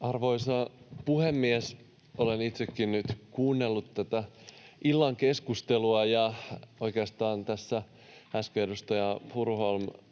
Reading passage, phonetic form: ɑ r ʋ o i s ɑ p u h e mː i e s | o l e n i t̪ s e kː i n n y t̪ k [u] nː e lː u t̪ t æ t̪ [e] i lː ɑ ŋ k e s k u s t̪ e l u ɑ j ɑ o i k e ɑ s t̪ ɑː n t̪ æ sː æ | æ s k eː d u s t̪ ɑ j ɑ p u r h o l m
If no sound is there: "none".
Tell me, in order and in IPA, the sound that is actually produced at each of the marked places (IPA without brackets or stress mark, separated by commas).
uː, æ